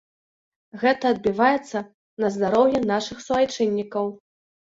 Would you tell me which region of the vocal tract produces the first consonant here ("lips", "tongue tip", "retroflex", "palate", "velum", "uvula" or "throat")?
velum